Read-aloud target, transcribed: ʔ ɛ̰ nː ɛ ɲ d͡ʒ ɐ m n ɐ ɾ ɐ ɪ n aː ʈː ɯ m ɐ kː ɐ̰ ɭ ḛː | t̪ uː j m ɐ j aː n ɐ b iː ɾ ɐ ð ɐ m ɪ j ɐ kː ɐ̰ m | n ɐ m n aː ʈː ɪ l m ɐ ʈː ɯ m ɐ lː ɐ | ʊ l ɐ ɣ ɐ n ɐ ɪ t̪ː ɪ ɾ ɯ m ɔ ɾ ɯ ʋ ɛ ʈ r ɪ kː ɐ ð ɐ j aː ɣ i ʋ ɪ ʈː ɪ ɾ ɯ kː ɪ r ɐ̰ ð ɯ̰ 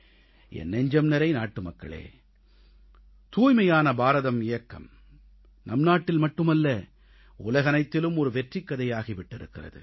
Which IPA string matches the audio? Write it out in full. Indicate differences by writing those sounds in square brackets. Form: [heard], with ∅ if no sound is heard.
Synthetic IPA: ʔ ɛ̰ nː ɛ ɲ d͡ʒ ɐ m n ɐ ɾ ɐ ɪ n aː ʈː ɯ m ɐ kː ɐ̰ ɭ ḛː | t̪ uː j m ɐ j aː n ɐ b [aː] ɾ ɐ ð ɐ m ɪ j ɐ kː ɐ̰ m | n ɐ m n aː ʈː ɪ l m ɐ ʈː ɯ m ɐ lː ɐ | ʊ l ɐ ɣ ɐ n ɐ ɪ t̪ː ɪ [l] ɯ m ɔ ɾ ɯ ʋ ɛ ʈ r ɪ kː ɐ ð ɐ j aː ɣ i ʋ ɪ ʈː ɪ ɾ ɯ kː ɪ r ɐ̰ ð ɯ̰